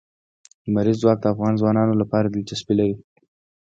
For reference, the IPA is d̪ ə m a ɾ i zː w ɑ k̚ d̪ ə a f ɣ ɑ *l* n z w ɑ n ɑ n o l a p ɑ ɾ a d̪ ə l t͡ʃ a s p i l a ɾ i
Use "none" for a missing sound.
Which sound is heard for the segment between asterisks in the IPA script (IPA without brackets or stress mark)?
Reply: none